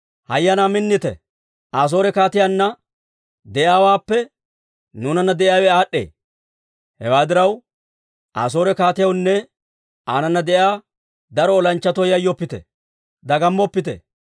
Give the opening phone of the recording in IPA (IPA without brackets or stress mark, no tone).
h